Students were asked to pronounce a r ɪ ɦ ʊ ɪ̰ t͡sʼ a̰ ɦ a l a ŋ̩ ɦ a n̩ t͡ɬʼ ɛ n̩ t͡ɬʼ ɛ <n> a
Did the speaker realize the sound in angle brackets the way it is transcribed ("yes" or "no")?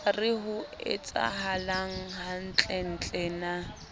yes